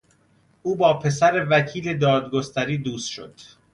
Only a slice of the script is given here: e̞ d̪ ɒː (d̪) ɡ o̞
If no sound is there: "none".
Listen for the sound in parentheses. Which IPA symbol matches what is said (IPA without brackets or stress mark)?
d̪